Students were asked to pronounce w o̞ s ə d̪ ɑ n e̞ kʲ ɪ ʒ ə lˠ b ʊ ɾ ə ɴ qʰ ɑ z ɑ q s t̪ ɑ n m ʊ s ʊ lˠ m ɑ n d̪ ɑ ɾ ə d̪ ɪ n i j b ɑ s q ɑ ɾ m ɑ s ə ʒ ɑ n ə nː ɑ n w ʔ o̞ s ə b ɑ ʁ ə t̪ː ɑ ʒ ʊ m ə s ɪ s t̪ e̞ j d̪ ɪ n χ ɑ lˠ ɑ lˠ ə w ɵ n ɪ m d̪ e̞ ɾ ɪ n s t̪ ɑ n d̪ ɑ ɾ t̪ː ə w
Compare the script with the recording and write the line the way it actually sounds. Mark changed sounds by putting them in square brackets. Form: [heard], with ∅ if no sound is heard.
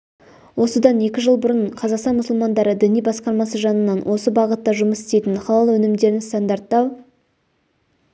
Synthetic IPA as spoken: w o̞ s ə d̪ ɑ n e̞ kʲ ɪ ʒ ə lˠ b ʊ ɾ ə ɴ qʰ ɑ z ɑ q s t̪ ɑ n m ʊ s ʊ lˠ m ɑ n d̪ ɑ ɾ ə d̪ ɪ n i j b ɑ s q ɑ ɾ m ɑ s ə ʒ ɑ n ə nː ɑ n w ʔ o̞ s ə b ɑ ʁ ə t̪ː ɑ ʒ ʊ m ə s ɪ s t̪ e̞ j [t̪] ɪ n χ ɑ lˠ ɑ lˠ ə w ɵ n ɪ m d̪ e̞ ɾ ɪ n s t̪ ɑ n d̪ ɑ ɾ t̪ː [ɑ] w

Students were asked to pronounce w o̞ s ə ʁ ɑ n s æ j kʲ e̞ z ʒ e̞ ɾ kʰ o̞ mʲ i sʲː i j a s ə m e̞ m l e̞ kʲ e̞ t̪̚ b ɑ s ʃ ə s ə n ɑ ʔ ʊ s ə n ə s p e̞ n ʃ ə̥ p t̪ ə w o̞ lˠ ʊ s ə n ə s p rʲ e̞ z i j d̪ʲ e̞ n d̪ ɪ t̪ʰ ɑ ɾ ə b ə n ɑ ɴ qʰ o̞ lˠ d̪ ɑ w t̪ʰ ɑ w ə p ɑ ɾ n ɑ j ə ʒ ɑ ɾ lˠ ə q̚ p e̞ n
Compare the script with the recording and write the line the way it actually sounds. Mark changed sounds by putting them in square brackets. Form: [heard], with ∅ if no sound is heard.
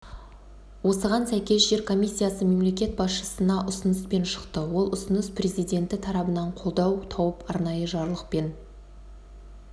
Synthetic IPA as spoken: w o̞ s ə ʁ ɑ n s æ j kʲ e̞ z ʒ e̞ ɾ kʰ o̞ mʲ i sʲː i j a s ə m e̞ m l e̞ kʲ e̞ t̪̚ b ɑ s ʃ ə s ə n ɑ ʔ ʊ s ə n ə s p e̞ n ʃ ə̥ [q] t̪ ə w o̞ lˠ ʊ s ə n ə s p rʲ e̞ z i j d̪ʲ e̞ n [t̪] ɪ t̪ʰ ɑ ɾ [ɑ] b ə n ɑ ɴ qʰ o̞ lˠ d̪ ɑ w t̪ʰ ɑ w ə p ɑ ɾ n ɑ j ə ʒ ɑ ɾ lˠ ə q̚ p e̞ n

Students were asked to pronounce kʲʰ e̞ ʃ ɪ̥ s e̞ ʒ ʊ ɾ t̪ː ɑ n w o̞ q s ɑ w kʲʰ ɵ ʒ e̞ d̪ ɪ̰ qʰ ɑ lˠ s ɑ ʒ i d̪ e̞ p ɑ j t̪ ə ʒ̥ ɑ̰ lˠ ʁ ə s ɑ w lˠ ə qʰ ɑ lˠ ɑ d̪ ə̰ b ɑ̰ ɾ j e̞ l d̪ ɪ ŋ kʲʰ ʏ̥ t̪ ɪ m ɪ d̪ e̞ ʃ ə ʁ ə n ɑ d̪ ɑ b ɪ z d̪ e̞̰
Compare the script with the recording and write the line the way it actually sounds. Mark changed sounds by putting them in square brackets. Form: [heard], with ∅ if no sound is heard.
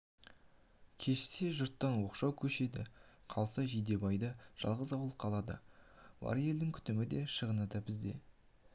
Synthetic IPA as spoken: kʲʰ e̞ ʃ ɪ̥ s e̞ ʒ ʊ ɾ t̪ː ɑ n w o̞ q [ʃ] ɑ w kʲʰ ɵ [ʃ] e̞ d̪ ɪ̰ qʰ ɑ lˠ s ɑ ʒ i d̪ e̞ [b] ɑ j [d̪] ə ʒ̥ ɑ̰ lˠ ʁ ə [z] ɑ w lˠ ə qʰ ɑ lˠ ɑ d̪ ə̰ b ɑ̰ ɾ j e̞ l d̪ ɪ ŋ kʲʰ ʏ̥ t̪ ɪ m ɪ d̪ e̞ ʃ ə ʁ ə n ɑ d̪ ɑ b ɪ z d̪ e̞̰

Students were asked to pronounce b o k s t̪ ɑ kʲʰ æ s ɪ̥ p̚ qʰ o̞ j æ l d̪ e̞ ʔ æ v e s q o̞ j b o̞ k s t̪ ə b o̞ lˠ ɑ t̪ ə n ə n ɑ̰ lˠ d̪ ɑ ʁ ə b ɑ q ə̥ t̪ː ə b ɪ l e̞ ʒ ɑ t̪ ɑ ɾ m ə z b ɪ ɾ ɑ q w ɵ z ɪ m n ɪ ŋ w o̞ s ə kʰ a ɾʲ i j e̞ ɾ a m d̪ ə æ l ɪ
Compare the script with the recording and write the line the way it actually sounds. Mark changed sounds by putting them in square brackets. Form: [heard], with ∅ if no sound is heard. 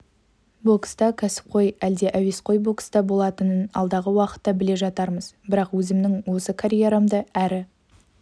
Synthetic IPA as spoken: b o k s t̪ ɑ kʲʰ æ s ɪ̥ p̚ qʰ o̞ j æ l d̪ e̞ ʔ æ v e s q o̞ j b o̞ k s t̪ [ɑ] b o̞ lˠ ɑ t̪ ə n ə n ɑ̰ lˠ d̪ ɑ ʁ ə [w] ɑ q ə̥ t̪ː [ɑ] b ɪ l e̞ ʒ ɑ t̪ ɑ ɾ m ə z b ɪ ɾ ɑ q w ɵ z ɪ m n ɪ ŋ w o̞ s ə kʰ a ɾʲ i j e̞ ɾ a m d̪ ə æ [ɾ] ɪ

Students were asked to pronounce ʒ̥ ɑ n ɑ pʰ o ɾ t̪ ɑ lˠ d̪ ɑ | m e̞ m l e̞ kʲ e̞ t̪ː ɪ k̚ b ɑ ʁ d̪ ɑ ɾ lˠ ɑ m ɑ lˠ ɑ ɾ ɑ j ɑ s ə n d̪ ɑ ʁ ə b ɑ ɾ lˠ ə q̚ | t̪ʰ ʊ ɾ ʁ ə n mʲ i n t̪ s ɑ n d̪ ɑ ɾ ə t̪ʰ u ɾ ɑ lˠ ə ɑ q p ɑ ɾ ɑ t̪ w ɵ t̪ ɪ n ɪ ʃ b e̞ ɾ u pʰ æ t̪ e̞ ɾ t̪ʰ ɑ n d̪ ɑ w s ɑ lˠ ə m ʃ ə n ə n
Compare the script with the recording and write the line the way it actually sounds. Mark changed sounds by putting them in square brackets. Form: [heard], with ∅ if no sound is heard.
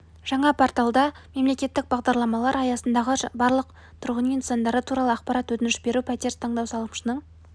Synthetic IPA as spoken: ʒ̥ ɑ [ɴ] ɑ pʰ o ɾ t̪ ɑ lˠ d̪ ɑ | m e̞ m l e̞ kʲ e̞ t̪ː ɪ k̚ b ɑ ʁ d̪ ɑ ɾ lˠ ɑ m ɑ lˠ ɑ ɾ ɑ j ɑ s ə n d̪ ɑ ʁ ə b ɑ ɾ lˠ ə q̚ | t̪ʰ ʊ ɾ ʁ ə n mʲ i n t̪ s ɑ n d̪ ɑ ɾ ə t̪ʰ u ɾ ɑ lˠ ə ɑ q p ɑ ɾ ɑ t̪ w ɵ t̪ ɪ n ɪ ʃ b e̞ ɾ u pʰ æ t̪ e̞ ɾ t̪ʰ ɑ [ɴ] d̪ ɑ w s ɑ lˠ ə m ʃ ə n ə [ɴ]

